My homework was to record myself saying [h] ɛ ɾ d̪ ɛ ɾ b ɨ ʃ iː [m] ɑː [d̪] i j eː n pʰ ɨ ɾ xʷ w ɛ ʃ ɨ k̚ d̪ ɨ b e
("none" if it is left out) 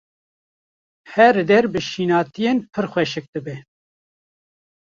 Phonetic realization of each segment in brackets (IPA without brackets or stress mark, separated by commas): h, n, t̪